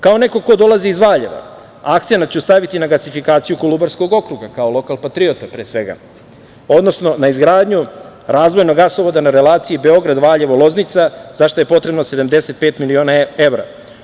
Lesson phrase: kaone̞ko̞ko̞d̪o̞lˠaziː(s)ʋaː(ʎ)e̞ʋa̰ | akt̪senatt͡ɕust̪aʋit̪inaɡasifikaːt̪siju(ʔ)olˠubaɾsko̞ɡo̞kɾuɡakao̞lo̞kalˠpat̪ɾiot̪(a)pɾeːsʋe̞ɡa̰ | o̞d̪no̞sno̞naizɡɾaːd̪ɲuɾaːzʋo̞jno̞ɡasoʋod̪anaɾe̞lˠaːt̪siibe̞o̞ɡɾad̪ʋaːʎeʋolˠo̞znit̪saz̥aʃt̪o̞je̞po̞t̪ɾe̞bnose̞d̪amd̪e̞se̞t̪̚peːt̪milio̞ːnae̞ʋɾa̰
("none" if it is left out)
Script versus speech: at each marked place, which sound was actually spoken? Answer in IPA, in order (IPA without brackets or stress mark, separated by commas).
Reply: z, ʎ, k, a